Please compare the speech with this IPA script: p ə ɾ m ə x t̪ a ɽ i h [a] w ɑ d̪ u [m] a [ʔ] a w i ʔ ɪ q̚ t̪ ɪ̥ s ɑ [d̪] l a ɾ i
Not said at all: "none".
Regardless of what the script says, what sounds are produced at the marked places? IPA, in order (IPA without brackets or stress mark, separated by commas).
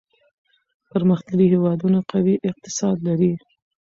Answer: e, n, q, d̪